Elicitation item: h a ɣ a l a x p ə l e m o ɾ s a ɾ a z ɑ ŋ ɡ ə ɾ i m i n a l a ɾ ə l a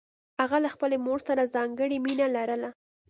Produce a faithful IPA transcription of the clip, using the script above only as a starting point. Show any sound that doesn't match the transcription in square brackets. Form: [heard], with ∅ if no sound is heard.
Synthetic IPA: h a ɣ a l a x p ə l e m o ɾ s a ɾ a z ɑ ŋ ɡ ə [ɽ] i m i n a l a ɾ ə l a